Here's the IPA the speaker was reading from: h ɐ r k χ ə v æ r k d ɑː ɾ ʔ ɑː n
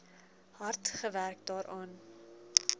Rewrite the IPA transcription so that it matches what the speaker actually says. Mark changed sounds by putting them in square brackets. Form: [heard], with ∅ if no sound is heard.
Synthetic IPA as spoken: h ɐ r [t] χ ə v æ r k d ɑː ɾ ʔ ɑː n